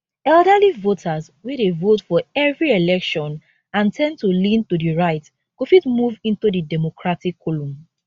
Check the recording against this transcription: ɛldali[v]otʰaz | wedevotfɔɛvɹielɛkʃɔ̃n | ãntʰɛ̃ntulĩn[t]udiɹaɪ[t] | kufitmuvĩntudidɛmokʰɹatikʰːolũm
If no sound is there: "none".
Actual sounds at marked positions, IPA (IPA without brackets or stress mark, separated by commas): v, t, t